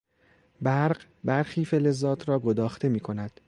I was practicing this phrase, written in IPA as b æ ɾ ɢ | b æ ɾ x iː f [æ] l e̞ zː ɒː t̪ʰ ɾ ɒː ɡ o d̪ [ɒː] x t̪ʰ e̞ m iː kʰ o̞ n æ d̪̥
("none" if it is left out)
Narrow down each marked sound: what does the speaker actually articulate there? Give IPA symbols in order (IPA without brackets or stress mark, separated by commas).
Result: e, ɒː